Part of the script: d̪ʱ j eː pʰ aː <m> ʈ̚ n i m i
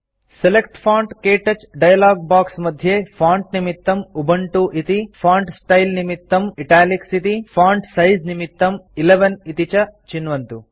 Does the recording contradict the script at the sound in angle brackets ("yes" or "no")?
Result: yes